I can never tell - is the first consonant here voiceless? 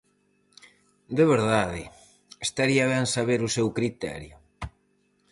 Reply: no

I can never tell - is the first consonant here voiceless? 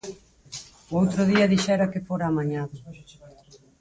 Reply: no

